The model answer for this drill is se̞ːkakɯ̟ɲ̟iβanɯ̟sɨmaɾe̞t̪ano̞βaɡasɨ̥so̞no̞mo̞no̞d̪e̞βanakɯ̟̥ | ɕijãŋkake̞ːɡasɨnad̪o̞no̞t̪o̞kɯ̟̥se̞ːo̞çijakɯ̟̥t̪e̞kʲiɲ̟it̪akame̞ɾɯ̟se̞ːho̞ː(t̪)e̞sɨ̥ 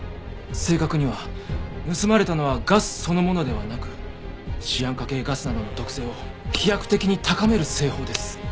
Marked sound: incorrect: d̪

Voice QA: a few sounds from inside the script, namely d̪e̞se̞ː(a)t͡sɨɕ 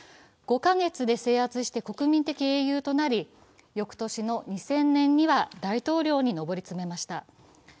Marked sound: correct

